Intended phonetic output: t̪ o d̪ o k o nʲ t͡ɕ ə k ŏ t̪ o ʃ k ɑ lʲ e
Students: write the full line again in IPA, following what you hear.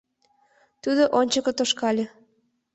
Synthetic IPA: t̪ u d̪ o ʔ o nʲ t͡ɕ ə k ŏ t̪ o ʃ k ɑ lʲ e